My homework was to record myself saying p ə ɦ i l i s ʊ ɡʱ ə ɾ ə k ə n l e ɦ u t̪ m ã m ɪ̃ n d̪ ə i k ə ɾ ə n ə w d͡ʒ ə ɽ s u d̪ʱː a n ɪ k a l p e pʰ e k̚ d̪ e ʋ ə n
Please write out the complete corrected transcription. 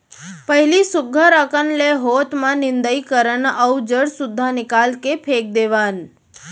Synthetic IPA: p ə ɦ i l i s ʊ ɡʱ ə ɾ ə k ə n l e ɦ o t̪ m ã n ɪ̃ n d̪ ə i k ə ɾ ə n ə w d͡ʒ ə ɽ s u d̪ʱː a n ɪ k a l k e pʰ e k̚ d̪ e ʋ a n